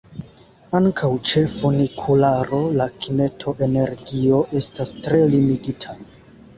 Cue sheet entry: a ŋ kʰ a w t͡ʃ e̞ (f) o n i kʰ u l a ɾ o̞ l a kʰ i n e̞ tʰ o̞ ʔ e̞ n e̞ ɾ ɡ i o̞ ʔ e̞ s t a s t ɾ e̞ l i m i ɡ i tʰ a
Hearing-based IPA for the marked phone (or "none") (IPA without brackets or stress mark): f